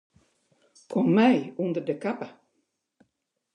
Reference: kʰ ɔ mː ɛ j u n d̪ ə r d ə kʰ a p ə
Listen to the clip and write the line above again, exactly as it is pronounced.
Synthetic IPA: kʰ ɔ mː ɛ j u n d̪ ə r d ə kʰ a p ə